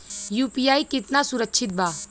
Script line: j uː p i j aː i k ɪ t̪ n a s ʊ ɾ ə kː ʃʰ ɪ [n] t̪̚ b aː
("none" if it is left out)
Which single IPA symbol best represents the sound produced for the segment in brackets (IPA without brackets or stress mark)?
none